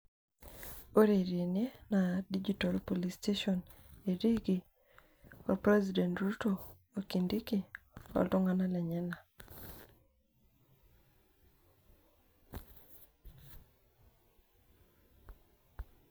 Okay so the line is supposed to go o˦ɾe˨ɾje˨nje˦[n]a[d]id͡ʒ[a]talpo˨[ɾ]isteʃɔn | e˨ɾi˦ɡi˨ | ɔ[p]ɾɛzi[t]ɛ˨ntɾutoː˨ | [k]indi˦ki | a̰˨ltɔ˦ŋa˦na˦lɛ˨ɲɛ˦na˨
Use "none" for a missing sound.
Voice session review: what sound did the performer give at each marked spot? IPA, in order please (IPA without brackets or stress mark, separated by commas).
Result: n, d, i, l, p, d, k